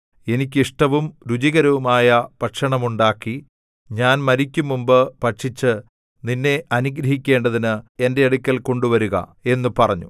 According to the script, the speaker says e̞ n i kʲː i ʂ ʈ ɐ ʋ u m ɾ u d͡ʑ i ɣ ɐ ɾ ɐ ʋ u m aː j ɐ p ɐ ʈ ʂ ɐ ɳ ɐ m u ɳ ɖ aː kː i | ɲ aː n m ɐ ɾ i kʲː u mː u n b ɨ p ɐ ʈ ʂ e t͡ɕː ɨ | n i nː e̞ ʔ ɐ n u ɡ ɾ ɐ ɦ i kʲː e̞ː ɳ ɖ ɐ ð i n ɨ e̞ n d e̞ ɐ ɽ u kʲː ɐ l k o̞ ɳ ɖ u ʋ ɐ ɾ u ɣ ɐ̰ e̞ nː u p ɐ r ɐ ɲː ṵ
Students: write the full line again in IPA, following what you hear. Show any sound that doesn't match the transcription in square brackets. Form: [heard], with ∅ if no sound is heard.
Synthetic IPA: e̞ n i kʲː i ʂ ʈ ɐ ʋ u m ɾ u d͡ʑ i ɣ ɐ ɾ ɐ ʋ u m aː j ɐ p ɐ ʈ ʂ ɐ ɳ ɐ m u ɳ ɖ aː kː i | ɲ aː n m ɐ ɾ i kʲː u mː u [m] b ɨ p ɐ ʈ ʂ [i] t͡ɕː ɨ | n i nː e̞ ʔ ɐ n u ɡ ɾ ɐ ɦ i kʲː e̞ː ɳ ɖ ɐ ð i n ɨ e̞ n d e̞ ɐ ɽ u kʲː ɐ l k o̞ ɳ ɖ u ʋ ɐ ɾ u ɣ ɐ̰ e̞ nː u p ɐ r ɐ ɲː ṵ